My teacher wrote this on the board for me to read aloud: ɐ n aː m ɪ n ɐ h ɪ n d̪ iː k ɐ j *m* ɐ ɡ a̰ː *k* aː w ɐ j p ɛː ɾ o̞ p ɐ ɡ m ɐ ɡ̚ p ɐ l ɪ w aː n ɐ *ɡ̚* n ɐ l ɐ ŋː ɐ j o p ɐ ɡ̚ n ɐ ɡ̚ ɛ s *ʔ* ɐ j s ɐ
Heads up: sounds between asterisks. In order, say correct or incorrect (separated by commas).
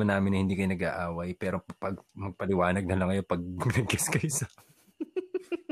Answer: incorrect, incorrect, correct, incorrect